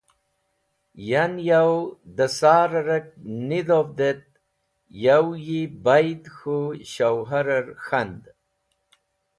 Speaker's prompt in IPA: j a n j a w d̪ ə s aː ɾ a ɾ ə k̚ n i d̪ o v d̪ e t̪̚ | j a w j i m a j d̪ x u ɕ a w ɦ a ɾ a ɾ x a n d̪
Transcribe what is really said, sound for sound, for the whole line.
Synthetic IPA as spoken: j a n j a w d̪ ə s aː ɾ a ɾ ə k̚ n i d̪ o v d̪ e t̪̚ | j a w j i b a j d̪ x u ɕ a w ɦ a ɾ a ɾ x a n d̪